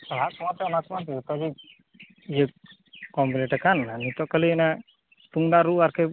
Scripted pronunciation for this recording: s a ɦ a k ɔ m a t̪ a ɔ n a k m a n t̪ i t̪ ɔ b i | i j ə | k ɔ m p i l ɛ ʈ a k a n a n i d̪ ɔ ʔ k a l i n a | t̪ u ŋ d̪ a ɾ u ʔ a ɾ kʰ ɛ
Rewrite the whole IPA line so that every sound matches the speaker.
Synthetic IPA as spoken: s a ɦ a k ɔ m a t̪ ɛ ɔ n a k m a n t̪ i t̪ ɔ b i | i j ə | k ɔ m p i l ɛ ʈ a k a n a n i t̪ ɔ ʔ k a l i n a | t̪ u ŋ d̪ a ɾ u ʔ a ɾ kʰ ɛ